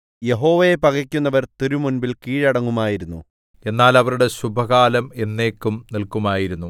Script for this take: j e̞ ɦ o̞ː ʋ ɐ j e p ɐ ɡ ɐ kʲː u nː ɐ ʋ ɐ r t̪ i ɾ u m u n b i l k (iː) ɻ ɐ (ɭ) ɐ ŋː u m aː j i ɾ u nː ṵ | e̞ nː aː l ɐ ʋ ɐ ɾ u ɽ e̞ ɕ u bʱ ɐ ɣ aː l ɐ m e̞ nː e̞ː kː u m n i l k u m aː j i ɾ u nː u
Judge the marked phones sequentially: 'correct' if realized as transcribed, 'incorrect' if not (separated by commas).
correct, incorrect